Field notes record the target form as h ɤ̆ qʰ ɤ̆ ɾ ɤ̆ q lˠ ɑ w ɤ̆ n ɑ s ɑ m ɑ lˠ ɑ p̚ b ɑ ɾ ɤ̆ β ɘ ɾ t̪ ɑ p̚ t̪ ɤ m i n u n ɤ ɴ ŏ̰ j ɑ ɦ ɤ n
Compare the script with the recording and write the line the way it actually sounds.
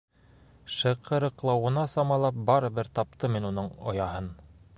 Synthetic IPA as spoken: ʃ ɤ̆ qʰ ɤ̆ ɾ ɤ̆ q lˠ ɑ w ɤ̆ n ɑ s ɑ m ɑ lˠ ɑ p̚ b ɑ ɾ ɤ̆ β ɘ ɾ t̪ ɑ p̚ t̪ ɤ m i n u n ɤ ɴ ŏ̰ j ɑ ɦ ɤ n